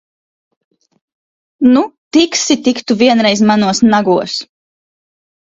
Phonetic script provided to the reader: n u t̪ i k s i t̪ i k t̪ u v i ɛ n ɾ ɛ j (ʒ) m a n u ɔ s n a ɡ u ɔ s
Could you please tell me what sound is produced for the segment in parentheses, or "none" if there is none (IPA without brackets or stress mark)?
z